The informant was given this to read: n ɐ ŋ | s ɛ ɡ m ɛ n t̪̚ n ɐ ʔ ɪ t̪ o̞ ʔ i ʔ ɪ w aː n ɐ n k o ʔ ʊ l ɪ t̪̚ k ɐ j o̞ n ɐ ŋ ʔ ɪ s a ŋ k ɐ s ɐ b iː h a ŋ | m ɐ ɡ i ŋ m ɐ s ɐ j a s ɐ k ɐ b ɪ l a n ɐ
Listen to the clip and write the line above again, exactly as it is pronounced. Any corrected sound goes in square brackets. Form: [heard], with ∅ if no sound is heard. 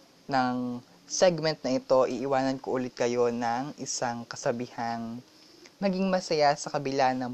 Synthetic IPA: n ɐ ŋ | s ɛ ɡ m ɛ n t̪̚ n ɐ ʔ ɪ t̪ o̞ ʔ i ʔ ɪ w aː n ɐ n k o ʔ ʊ l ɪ t̪̚ k ɐ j o̞ n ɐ ŋ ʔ ɪ s a ŋ k ɐ s ɐ b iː h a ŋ | m ɐ ɡ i ŋ m ɐ s ɐ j a s ɐ k ɐ b ɪ l a n ɐ